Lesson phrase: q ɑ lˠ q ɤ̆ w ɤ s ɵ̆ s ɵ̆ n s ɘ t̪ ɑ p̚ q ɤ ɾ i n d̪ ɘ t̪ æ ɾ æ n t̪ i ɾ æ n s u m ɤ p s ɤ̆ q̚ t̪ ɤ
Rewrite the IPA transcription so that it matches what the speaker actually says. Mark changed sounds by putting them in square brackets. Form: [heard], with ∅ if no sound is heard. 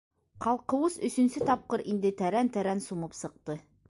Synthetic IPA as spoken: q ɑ lˠ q ɤ̆ w ɤ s ɵ̆ s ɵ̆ n s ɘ t̪ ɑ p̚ q ɤ ɾ i n d̪ ɘ t̪ æ ɾ æ n t̪ [æ] ɾ æ n s u m ɤ p s ɤ̆ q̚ t̪ ɤ

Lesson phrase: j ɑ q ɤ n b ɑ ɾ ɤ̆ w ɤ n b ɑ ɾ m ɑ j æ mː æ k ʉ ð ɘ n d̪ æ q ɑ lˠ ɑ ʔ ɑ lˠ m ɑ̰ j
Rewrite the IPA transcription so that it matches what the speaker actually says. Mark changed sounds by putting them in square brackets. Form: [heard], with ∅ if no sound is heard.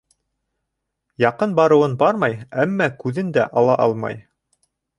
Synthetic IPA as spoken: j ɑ q ɤ n b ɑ ɾ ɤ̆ w ɤ n b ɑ ɾ m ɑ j æ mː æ k ʉ ð ɘ n d̪ æ [ʔ] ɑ lˠ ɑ ʔ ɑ lˠ m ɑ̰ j

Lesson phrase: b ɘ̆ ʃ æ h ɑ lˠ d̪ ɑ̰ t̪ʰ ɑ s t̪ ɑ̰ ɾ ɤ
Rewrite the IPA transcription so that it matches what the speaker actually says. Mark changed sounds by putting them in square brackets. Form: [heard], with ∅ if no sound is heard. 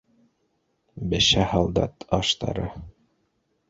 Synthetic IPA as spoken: b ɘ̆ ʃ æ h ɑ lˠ d̪ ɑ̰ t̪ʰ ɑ [ʃ] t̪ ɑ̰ ɾ ɤ

